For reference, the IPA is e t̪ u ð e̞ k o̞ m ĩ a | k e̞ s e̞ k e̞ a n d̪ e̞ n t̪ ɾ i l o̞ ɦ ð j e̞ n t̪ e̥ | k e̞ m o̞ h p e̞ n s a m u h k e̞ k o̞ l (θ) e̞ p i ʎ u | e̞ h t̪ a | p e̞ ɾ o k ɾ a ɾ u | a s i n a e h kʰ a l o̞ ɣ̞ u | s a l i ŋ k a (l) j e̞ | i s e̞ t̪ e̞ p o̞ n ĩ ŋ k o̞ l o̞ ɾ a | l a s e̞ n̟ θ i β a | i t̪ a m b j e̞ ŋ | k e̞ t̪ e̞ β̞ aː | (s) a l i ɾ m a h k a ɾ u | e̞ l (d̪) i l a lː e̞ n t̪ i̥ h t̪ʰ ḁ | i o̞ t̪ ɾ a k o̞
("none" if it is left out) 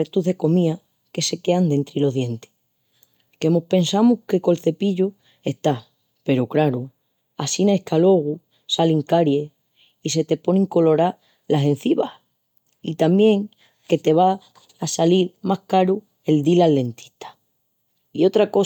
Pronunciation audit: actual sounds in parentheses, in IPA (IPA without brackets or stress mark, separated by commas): θ, ɾ, s, d̪